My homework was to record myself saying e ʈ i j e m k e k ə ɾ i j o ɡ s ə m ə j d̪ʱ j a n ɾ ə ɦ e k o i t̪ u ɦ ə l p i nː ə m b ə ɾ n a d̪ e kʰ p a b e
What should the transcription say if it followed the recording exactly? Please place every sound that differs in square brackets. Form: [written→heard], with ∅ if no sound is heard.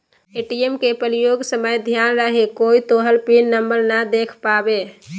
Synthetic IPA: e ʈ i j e m k e [k→p] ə ɾ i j o ɡ s ə m ə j d̪ʱ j a n ɾ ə ɦ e k o i t̪ [u→o] ɦ ə l p i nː ə m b ə ɾ n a d̪ e kʰ p a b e